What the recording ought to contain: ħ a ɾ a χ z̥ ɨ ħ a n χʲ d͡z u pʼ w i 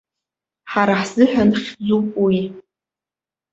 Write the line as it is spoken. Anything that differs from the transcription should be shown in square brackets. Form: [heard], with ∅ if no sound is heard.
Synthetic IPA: ħ a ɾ a [ħ] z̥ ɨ ħ a n χʲ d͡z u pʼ w i